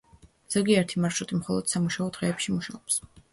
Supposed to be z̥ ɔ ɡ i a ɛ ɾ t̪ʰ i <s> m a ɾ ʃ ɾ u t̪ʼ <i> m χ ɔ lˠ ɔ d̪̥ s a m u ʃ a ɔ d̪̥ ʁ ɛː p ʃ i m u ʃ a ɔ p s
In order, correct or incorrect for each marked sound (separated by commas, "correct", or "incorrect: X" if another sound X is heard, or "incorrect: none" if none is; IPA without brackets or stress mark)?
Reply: incorrect: none, correct